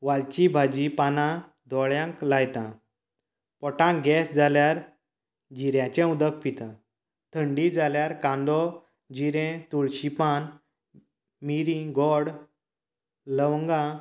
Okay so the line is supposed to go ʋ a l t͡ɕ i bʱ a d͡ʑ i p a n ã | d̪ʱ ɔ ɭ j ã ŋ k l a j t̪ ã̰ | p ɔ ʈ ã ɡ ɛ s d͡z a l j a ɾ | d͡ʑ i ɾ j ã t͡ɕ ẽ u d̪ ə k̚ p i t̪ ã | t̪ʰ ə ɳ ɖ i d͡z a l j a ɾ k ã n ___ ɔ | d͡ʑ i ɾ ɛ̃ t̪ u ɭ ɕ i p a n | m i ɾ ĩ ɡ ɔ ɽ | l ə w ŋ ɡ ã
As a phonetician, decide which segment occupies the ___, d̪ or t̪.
d̪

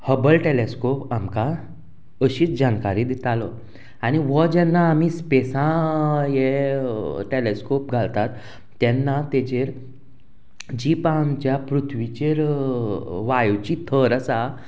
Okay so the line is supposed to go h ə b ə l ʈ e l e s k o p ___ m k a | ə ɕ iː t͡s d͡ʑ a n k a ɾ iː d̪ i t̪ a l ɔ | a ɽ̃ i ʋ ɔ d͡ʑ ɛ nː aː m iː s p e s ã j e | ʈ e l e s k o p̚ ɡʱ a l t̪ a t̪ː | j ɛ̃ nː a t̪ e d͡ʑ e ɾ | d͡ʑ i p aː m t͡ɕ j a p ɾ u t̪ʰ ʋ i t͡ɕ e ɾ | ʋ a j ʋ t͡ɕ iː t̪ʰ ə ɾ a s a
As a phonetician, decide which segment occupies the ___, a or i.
a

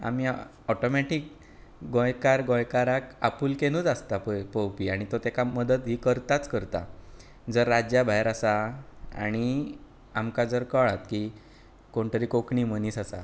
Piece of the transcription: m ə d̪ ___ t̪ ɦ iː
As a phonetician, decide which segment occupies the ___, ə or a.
ə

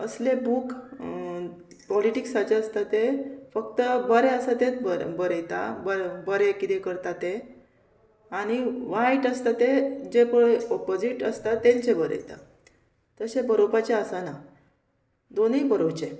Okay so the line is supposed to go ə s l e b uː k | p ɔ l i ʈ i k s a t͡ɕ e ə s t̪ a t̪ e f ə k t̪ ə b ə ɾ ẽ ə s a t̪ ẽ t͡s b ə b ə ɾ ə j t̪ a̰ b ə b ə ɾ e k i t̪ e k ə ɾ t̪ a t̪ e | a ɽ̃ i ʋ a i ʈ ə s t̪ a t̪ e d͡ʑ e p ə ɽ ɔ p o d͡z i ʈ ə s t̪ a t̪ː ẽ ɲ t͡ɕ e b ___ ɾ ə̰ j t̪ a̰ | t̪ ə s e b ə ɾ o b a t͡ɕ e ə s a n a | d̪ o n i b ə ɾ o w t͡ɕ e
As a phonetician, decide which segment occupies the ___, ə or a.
ə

